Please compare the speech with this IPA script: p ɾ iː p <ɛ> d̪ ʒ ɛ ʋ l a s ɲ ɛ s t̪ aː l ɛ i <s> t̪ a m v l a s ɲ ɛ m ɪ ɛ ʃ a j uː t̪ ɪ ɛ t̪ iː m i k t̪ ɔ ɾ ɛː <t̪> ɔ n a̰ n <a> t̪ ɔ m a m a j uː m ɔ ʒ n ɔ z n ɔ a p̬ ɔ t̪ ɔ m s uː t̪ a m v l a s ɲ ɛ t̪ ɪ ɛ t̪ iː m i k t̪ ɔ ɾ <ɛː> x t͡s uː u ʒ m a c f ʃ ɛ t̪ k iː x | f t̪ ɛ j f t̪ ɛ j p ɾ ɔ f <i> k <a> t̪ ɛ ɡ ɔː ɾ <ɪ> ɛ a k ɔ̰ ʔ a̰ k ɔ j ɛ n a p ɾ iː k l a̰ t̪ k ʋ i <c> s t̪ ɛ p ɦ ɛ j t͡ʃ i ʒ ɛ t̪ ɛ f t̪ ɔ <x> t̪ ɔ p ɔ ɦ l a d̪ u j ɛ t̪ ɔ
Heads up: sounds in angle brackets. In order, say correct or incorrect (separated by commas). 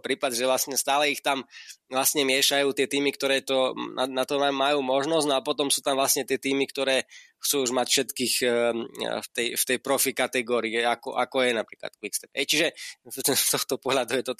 incorrect, incorrect, correct, correct, correct, correct, correct, incorrect, incorrect, correct